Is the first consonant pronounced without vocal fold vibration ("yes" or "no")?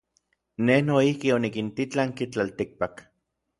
no